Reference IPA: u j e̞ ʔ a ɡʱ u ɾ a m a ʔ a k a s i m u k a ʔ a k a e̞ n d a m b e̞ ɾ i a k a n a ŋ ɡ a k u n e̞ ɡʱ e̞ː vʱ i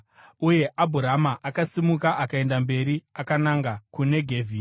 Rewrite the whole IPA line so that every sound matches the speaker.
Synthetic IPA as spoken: u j e̞ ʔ a bʱ u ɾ a m a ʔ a k a s i m u k a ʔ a k a e̞ n d a m b e̞ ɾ i a k a n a ŋ ɡ a k u n e̞ ɡʱ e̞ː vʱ i